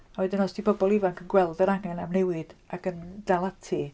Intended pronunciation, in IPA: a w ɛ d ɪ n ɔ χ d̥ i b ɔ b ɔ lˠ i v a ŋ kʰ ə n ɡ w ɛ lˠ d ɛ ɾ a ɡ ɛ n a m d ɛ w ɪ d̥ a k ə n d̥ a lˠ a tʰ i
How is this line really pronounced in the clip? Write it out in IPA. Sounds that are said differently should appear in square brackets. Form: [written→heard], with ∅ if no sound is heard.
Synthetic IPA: a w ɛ d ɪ n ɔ [χ→s] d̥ i b ɔ b ɔ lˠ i v a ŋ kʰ ə n ɡ w ɛ lˠ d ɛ ɾ a [ɡ→ŋ] ɛ n a m [d→n] ɛ w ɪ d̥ a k ə n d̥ a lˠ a tʰ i